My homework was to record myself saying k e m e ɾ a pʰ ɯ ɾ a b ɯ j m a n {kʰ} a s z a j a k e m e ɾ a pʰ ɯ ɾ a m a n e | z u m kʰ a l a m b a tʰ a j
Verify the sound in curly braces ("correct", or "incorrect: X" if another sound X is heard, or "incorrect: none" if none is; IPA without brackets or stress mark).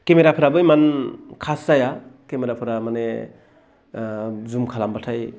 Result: correct